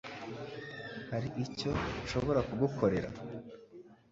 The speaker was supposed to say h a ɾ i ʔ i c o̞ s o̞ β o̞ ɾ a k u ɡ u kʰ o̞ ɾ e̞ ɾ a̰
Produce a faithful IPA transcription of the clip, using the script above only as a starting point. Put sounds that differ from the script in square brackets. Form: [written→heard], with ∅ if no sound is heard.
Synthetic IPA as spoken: h a ɾ i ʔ i c o̞ [s→ʃ] o̞ β o̞ ɾ a k u ɡ u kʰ o̞ ɾ e̞ ɾ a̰